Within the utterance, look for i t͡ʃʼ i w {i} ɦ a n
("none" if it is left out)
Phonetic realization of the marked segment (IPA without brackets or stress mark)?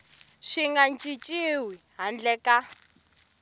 i